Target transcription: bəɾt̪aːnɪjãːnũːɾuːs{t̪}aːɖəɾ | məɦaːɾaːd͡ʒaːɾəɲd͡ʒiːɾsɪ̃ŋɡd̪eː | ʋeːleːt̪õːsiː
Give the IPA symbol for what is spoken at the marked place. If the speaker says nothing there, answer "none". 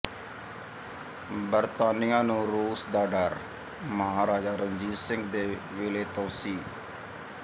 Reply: d̪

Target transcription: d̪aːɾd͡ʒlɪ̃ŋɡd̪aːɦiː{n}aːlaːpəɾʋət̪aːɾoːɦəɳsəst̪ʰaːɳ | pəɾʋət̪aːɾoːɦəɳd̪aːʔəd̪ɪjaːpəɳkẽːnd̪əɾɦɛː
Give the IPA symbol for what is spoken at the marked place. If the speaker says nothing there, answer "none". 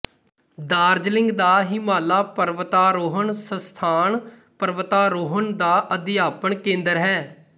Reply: m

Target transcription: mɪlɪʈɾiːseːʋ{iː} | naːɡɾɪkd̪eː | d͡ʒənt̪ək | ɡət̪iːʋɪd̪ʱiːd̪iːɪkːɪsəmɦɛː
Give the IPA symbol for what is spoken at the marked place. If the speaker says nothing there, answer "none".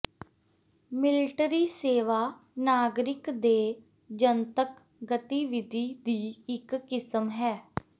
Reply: aː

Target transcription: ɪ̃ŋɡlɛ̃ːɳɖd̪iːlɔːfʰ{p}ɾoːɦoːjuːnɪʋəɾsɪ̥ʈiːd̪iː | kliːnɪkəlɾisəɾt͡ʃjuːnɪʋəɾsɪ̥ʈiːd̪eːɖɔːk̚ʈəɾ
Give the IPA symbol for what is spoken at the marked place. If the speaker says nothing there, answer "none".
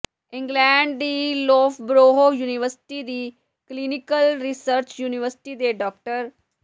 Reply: b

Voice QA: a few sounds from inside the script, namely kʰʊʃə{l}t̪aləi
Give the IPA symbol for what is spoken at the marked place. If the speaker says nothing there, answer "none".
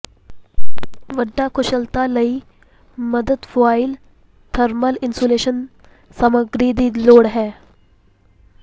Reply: l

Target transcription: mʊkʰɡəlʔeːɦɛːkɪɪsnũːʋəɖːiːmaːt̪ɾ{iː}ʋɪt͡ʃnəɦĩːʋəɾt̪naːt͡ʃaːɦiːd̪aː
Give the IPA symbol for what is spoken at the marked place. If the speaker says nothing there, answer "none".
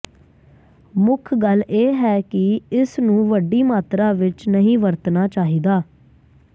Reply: aː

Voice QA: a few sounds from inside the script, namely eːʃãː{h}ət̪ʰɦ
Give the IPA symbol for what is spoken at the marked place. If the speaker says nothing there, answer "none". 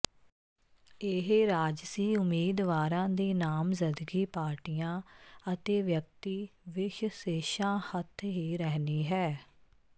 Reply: h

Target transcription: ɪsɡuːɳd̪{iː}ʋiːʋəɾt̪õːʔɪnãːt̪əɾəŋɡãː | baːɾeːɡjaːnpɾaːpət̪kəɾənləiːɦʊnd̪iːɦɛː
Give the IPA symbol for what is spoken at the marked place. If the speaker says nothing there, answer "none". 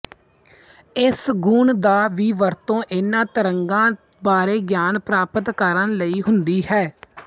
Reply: aː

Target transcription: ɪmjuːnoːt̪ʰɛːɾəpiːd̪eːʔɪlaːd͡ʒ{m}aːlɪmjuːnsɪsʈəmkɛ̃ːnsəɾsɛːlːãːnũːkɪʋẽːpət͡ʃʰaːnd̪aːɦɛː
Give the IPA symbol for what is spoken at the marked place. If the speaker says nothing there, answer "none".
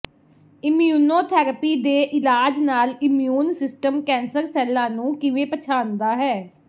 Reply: n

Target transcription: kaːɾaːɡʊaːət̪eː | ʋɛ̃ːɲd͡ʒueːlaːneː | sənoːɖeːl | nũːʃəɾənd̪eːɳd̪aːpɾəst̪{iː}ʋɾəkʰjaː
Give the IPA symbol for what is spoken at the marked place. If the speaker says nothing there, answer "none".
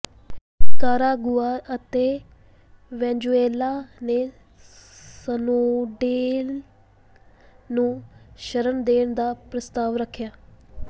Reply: aː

